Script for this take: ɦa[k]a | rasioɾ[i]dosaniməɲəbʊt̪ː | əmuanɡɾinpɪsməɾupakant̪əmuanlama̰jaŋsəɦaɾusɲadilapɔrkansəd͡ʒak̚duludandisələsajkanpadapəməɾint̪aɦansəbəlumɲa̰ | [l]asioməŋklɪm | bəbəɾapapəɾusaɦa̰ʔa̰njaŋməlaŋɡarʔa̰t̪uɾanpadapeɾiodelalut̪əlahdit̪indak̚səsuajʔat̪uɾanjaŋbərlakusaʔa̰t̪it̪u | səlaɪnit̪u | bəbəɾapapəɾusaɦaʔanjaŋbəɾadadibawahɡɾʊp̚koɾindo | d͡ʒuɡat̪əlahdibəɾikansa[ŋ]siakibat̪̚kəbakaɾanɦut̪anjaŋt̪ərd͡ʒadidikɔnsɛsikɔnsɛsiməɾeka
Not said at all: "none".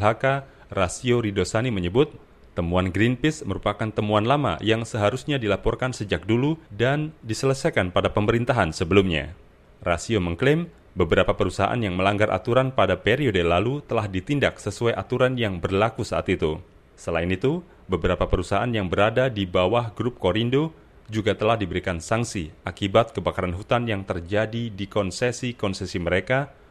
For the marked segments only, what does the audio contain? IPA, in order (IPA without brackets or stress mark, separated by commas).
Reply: k, i, r, ŋ